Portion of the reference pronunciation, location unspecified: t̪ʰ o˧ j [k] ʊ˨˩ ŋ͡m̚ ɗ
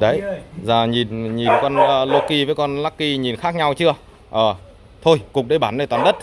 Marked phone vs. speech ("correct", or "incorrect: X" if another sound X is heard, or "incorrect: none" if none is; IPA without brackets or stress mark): correct